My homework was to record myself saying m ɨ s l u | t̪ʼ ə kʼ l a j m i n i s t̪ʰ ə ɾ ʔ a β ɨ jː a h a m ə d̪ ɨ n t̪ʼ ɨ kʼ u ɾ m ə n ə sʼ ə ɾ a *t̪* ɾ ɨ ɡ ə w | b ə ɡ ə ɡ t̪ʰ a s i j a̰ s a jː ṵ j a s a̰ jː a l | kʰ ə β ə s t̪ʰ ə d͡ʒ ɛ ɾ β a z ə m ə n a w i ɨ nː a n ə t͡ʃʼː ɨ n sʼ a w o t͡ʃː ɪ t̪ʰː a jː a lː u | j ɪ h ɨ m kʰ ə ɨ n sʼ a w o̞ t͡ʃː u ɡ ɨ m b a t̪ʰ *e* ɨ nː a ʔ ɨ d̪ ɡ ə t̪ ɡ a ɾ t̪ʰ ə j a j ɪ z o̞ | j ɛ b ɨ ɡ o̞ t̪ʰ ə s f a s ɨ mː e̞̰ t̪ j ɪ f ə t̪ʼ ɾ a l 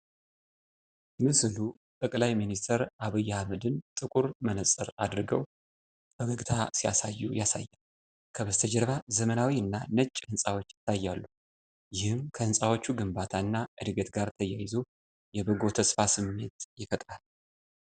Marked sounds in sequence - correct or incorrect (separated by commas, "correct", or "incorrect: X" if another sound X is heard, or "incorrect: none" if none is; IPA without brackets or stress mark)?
incorrect: d̪, incorrect: a